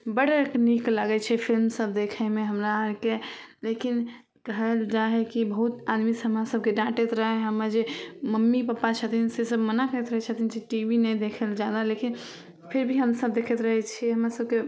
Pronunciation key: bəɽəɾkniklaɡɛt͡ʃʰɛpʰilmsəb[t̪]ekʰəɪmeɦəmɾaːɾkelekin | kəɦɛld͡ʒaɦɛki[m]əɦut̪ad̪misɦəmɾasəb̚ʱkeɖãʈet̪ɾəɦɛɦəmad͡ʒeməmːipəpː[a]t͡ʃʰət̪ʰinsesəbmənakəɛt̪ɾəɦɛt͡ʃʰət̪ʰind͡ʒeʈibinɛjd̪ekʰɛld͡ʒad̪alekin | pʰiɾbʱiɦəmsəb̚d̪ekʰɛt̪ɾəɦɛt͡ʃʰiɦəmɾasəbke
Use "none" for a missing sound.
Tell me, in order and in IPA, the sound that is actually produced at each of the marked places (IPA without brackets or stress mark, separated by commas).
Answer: d̪, b, a